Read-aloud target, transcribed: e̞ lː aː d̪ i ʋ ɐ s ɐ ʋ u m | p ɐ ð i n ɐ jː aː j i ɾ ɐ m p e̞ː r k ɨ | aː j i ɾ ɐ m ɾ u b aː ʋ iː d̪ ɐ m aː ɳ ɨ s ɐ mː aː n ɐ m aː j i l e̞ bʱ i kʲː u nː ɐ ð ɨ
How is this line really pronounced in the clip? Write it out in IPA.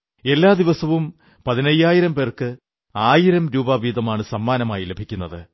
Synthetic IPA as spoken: e̞ lː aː d̪ i ʋ ɐ s ɐ ʋ u m | p ɐ ð i n ɐ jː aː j i ɾ ɐ m p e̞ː r k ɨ | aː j i ɾ ɐ m ɾ uː b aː ʋ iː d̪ ɐ m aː ɳ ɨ s ɐ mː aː n ɐ m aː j i l e̞ bʱ i kʲː u nː ɐ ð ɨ